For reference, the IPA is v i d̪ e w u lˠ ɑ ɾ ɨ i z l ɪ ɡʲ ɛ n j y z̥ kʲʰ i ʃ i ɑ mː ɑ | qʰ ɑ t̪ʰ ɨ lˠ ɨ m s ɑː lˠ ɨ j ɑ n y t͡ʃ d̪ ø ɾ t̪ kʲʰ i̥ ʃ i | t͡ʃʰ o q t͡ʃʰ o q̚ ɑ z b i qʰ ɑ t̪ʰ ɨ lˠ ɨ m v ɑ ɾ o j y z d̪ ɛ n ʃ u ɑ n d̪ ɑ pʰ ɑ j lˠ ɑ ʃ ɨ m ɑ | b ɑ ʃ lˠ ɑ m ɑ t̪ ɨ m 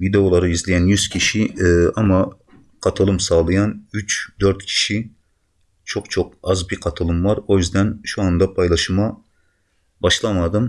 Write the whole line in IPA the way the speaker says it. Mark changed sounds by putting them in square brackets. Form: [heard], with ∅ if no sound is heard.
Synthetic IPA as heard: v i d̪ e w [o] lˠ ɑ ɾ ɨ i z l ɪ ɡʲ ɛ n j y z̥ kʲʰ i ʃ i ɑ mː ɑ | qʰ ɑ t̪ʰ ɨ lˠ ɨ m s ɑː lˠ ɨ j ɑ n y t͡ʃ d̪ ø ɾ t̪ kʲʰ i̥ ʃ i | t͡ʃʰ o q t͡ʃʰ o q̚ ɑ z b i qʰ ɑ t̪ʰ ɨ lˠ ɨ m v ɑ ɾ o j y z d̪ ɛ n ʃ u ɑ n d̪ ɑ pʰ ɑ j lˠ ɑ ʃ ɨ m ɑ | b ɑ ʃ lˠ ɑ m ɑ [d̪] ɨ m